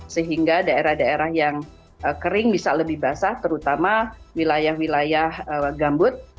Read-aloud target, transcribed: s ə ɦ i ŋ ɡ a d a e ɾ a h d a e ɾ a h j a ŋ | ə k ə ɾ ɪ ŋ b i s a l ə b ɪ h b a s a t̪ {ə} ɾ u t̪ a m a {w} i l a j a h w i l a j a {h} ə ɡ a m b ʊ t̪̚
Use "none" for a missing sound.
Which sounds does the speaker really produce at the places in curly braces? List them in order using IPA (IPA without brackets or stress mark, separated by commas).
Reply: ə, w, h